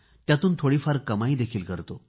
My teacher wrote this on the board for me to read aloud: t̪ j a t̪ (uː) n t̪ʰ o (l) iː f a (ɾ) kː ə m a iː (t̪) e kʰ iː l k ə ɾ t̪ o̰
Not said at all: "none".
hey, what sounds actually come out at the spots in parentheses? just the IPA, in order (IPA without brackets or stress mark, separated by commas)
uː, ɽ, ɾ, d̪